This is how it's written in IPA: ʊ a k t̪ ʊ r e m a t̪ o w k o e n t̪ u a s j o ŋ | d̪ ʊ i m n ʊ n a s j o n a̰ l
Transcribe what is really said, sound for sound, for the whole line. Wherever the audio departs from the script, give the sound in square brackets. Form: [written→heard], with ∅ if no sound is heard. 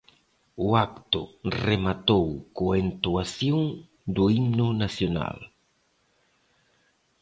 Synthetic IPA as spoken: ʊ a k t̪ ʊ r e m a t̪ o w k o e n t̪ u a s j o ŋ | d̪ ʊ i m n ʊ n a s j o n a̰ l